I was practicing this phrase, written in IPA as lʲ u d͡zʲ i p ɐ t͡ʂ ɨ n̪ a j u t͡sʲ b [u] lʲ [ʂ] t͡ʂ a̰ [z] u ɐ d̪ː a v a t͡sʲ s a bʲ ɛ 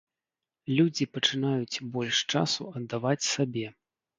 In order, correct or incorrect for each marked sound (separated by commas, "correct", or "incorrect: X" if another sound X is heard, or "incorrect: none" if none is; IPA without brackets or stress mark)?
incorrect: ɔ, correct, incorrect: s